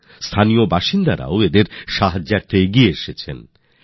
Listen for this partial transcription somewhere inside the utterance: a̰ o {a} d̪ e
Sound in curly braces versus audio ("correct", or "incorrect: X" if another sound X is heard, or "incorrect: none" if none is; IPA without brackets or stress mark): incorrect: e